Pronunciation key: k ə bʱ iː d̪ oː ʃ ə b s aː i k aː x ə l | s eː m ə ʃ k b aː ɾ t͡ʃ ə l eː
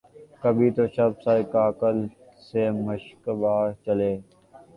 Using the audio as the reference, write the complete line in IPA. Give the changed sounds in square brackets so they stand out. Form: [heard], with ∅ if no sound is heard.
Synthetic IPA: k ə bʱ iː [t̪] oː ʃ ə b s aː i k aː [k] ə l | s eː m ə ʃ k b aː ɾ t͡ʃ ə l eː